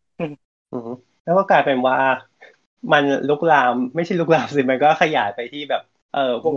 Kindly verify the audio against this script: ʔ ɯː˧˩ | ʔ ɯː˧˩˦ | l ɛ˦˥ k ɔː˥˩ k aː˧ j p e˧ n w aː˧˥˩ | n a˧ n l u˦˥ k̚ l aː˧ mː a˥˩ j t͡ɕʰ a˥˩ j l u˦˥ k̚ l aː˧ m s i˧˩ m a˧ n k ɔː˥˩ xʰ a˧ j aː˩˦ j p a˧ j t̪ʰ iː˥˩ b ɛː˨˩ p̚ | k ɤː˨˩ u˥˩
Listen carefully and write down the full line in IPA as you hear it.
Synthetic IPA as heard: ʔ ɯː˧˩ | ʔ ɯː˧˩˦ | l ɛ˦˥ k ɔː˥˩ k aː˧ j p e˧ n w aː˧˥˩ | m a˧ n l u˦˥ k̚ l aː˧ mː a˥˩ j t͡ɕʰ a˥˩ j l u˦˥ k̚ l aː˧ m s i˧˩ m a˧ n k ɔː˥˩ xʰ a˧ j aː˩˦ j p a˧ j t̪ʰ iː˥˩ b ɛː˨˩ p̚ | ʔ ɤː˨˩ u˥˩